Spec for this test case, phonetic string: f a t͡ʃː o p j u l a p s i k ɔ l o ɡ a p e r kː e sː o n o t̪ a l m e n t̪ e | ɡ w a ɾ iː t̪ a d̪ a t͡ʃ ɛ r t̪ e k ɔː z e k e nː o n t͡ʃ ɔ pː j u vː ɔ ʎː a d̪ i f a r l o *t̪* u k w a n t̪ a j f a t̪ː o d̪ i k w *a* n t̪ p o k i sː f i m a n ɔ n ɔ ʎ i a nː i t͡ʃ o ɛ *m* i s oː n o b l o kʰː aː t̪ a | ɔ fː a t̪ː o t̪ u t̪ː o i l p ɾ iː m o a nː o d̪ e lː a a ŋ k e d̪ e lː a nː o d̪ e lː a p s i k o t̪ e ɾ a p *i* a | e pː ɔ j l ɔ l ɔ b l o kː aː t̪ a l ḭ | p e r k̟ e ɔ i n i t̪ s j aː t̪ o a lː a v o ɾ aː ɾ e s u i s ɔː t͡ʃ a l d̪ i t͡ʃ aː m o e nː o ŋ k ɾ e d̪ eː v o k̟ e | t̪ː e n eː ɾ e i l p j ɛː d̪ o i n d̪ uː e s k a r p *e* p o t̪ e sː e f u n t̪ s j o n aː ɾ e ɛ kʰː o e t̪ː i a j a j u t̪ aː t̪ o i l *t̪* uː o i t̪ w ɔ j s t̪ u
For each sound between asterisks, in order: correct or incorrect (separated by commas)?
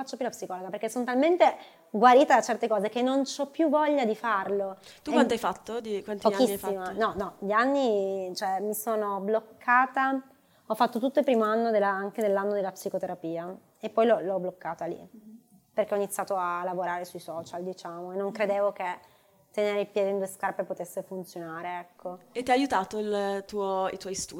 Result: correct, correct, correct, incorrect, correct, correct